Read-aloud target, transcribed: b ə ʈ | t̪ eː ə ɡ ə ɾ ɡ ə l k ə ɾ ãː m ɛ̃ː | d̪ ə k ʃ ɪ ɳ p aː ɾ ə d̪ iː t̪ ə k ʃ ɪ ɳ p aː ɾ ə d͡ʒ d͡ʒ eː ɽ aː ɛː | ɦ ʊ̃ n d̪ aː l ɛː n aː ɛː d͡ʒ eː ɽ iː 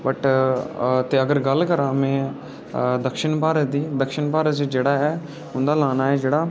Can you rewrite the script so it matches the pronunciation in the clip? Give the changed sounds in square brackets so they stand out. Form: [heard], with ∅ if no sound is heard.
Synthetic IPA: b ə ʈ | t̪ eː ə ɡ ə ɾ ɡ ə l k ə ɾ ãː m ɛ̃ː | d̪ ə k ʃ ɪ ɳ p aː ɾ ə d̪ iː [d̪] ə k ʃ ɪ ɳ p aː ɾ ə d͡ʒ d͡ʒ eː ɽ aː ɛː | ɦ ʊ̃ n d̪ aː l [aː] n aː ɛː d͡ʒ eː ɽ [aː]